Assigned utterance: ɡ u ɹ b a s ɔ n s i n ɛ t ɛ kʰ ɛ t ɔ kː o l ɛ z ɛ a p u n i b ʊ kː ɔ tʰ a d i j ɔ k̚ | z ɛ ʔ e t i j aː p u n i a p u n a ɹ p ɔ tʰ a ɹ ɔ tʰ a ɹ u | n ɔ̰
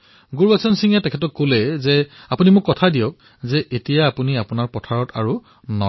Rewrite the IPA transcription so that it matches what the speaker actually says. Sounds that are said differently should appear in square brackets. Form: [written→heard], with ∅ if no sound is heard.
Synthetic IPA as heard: ɡ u ɹ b a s ɔ n s i [n→ŋ] ɛ t ɛ kʰ ɛ t ɔ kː o l ɛ z ɛ a p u n i [b→m] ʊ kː ɔ tʰ a d i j ɔ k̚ | z ɛ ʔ e t i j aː p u n i a p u n a ɹ p ɔ tʰ a ɹ ɔ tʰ a ɹ u | n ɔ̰

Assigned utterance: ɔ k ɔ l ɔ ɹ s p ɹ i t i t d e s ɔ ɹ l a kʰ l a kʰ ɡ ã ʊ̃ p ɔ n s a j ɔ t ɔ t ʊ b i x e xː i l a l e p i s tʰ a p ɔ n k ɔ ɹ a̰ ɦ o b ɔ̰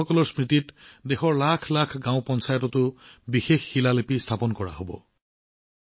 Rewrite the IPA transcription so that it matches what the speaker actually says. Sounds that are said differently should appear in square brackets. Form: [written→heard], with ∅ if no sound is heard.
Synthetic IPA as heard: ɔ k ɔ l ɔ ɹ s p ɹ i t i t d e [s→x] ɔ ɹ l a kʰ l a kʰ ɡ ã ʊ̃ p ɔ n s a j ɔ t ɔ t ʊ b i x e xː i l a l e p i s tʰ a p ɔ n k ɔ ɹ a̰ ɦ o b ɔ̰

